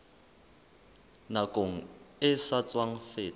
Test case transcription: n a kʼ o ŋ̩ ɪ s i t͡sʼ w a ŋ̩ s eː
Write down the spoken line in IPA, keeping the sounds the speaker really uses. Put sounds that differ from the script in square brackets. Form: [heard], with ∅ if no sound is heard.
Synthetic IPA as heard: n a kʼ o ŋ̩ ɪ s [a] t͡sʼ w a ŋ̩ [f] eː